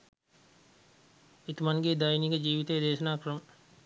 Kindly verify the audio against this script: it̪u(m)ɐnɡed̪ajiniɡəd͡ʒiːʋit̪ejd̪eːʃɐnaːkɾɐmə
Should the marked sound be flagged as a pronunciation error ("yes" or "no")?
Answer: no